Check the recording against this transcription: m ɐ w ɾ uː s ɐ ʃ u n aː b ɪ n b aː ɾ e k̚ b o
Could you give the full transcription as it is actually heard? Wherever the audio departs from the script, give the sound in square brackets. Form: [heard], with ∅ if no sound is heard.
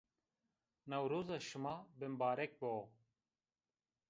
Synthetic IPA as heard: [n] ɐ w ɾ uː [z] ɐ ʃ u [m] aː b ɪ [m] b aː ɾ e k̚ b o